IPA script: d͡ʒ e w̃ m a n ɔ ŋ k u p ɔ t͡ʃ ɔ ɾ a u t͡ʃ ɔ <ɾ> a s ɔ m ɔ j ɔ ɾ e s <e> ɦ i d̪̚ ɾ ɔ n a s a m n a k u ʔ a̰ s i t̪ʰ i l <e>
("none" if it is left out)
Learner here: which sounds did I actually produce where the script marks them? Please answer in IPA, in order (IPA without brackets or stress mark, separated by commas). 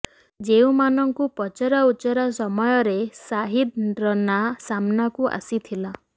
ɾ, a, a